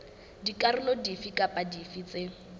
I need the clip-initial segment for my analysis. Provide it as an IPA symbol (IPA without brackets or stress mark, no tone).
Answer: d